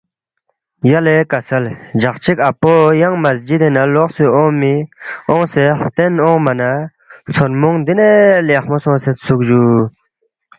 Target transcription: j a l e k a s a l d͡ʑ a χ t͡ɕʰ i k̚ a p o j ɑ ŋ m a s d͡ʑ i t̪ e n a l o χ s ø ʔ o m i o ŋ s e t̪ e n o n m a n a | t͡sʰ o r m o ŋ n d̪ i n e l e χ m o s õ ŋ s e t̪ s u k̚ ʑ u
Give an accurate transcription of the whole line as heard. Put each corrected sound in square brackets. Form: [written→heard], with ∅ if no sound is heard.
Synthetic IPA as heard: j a l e k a s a l d͡ʑ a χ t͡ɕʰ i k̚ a p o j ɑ ŋ m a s d͡ʑ i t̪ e n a l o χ s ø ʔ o m i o ŋ s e t̪ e n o [n→ŋ] m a n a | t͡sʰ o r m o ŋ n d̪ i n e l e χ m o s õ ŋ s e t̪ s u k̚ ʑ u